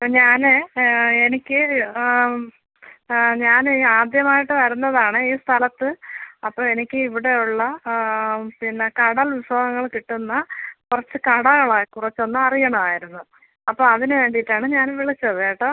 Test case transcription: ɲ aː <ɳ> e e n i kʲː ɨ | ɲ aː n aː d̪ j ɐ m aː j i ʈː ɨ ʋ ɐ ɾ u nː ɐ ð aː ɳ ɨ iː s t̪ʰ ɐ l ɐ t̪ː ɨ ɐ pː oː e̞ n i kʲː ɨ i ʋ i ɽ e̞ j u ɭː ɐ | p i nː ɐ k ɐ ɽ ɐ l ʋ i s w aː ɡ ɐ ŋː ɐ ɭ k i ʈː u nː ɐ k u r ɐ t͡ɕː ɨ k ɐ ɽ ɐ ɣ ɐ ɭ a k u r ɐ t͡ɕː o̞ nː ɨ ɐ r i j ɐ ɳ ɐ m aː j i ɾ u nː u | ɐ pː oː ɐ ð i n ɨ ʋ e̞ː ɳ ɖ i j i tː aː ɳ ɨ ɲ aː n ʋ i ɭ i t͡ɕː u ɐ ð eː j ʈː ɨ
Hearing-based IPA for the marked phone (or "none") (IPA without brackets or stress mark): n